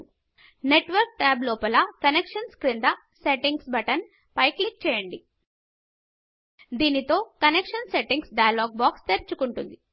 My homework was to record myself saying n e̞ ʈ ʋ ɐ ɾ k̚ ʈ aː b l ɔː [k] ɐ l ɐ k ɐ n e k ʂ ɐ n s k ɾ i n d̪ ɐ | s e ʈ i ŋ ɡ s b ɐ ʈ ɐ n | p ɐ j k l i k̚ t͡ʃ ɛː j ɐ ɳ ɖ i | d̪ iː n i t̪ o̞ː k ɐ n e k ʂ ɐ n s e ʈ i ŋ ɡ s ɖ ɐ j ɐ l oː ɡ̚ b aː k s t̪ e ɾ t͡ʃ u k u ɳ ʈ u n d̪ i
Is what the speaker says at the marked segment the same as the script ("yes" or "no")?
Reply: no